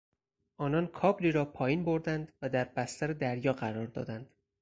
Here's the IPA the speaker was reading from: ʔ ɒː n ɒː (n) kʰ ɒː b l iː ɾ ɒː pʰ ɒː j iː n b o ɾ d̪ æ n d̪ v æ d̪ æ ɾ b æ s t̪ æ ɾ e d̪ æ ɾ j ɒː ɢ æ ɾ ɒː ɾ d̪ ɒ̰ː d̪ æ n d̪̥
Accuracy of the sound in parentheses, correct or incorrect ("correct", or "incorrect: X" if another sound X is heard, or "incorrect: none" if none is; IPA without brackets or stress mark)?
correct